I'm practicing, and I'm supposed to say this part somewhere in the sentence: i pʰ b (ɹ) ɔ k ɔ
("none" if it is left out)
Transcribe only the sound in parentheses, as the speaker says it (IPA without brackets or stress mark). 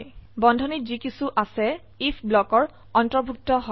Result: l